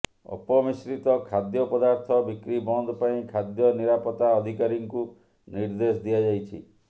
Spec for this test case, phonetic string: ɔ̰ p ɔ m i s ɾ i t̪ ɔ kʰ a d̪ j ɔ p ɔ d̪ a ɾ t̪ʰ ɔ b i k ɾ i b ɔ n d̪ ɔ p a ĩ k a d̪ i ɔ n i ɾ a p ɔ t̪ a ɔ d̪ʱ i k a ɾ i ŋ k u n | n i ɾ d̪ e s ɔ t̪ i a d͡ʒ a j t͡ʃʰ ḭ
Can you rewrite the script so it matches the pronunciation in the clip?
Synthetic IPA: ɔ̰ p ɔ m i s ɾ i t̪ ɔ kʰ a d̪ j ɔ p ɔ d̪ a ɾ t̪ʰ ɔ b i k ɾ i b ɔ n d̪ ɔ p a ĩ kʰ a d̪ j ɔ n i ɾ a p ɔ t̪ a ɔ d̪ʱ i k a ɾ i ŋ k u | n i ɾ d̪ e s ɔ d̪ i a d͡ʒ a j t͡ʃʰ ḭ

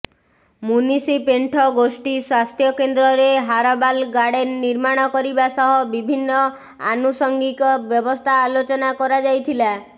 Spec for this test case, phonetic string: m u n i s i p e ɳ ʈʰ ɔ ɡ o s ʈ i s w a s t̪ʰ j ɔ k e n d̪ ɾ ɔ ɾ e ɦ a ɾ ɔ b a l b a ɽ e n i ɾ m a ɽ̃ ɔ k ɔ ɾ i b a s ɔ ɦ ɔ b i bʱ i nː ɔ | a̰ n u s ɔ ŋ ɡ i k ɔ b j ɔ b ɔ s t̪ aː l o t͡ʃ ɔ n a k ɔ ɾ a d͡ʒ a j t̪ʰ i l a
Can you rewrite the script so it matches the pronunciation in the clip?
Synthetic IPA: m u n i s i p e ɳ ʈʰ ɔ ɡ o s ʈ i s w a s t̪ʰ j ɔ k e n d̪ ɾ ɔ ɾ e ɦ a ɾ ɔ b a l ɡ a ɽ e n i ɾ m a ɽ̃ ɔ k ɔ ɾ i b a s ɔ ɦ ɔ b i bʱ i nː ɔ | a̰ n u s ɔ ŋ ɡ i k ɔ b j ɔ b ɔ s t̪ʰ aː l o t͡ʃ ɔ n a k ɔ ɾ a d͡ʒ a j t̪ʰ i l a

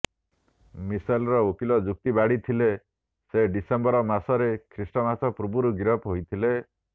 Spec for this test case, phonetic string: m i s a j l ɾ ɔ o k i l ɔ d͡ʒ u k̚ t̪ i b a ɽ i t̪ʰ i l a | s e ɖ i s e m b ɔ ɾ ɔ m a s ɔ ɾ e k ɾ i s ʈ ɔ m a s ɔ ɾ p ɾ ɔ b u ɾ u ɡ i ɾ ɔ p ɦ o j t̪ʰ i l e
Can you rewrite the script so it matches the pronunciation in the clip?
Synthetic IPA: m i s a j l ɾ ɔ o k i l ɔ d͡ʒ u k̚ t̪ i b a ɽ i t̪ʰ i l e | s e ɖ i s e m b ɔ ɾ ɔ m a s ɔ ɾ e kʰ ɾ i s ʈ ɔ m a s ɔ p ɾ u b u ɾ u ɡ i ɾ ɔ p ɦ o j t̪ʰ i l e

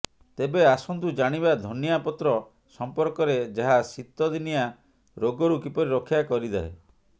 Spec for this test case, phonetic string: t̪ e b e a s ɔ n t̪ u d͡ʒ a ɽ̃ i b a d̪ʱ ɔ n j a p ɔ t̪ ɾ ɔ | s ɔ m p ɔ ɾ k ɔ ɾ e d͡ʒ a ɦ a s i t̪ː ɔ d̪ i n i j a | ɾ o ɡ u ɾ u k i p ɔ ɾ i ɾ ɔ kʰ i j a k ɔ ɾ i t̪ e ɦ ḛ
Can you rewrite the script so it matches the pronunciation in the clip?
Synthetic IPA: t̪ e b e a s ɔ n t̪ u d͡ʒ a ɽ̃ i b a d̪ʱ ɔ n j a p ɔ t̪ ɾ ɔ | s ɔ m p ɔ ɾ k ɔ ɾ e d͡ʒ a ɦ a s i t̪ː ɔ d̪ i n i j a | ɾ o ɡ ɔ ɾ u k i p ɔ ɾ i ɾ ɔ kʰ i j a k ɔ ɾ i d̪ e ɦ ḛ

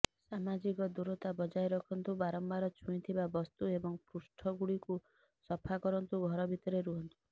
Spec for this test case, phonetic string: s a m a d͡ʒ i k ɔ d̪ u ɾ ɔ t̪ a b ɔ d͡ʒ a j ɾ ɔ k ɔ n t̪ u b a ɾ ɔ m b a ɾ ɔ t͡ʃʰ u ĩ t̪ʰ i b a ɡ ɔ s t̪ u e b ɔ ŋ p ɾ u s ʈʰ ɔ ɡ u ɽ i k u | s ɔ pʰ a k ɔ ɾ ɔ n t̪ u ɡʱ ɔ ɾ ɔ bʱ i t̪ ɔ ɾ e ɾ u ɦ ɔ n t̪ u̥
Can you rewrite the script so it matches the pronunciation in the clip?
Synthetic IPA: s a m a d͡ʒ i k ɔ d̪ u ɾ ɔ t̪ a b ɔ d͡ʒ a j ɾ ɔ kʰ ɔ n t̪ u b a ɾ ɔ m b a ɾ ɔ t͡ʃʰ u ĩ t̪ʰ i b a b ɔ s t̪ u e b ɔ ŋ p ɾ u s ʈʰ ɔ ɡ u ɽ i k u | s ɔ pʰ a k ɔ ɾ ɔ n t̪ u ɡʱ ɔ ɾ ɔ bʱ i t̪ ɔ ɾ e ɾ u ɦ ɔ n t̪ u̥

